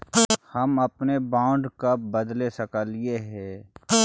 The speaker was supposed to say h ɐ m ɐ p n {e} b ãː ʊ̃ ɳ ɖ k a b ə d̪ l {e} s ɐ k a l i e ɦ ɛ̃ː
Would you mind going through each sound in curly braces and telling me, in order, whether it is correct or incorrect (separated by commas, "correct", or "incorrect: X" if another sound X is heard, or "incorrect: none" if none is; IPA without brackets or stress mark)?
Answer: correct, correct